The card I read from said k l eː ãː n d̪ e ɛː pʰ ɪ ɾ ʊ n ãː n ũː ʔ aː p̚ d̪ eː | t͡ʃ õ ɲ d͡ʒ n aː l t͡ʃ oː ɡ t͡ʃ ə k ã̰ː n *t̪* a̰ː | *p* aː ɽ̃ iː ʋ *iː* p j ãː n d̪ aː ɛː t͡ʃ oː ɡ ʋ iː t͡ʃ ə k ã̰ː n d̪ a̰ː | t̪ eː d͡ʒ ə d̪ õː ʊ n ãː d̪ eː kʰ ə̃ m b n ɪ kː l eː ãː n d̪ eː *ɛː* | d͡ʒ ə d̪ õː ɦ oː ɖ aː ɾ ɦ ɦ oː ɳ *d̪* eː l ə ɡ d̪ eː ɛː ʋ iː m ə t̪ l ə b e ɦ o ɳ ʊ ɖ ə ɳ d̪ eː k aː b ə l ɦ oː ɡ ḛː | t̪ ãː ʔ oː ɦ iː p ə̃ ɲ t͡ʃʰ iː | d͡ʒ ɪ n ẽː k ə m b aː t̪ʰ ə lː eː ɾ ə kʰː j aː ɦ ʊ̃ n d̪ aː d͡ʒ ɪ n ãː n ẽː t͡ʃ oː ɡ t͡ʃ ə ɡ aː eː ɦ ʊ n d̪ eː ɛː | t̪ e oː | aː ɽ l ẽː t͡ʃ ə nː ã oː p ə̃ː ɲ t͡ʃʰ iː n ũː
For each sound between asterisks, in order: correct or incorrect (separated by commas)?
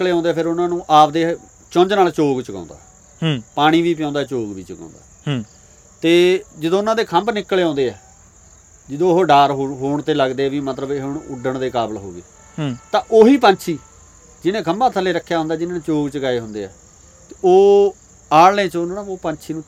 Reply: incorrect, correct, correct, correct, incorrect